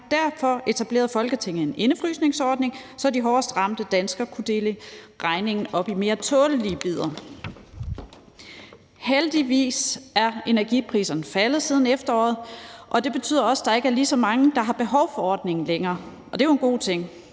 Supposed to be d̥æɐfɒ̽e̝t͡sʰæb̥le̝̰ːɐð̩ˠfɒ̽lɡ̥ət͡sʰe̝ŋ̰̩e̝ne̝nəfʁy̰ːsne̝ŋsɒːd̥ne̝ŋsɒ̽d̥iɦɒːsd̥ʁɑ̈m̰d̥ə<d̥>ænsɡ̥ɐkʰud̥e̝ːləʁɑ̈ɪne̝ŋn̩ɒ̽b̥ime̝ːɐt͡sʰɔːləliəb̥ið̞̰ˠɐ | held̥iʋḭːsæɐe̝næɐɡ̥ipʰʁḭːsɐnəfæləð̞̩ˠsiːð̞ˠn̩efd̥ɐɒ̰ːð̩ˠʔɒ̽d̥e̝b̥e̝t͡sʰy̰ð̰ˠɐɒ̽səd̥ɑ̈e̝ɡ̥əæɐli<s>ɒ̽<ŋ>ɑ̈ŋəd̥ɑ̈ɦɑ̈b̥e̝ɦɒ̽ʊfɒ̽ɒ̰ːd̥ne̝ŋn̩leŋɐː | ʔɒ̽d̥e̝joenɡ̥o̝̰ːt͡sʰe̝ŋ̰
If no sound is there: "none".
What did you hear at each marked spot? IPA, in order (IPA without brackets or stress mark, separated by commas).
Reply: d̥, s, m